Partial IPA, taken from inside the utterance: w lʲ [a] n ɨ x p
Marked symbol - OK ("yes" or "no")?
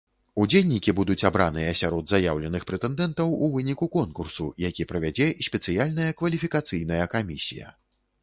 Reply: no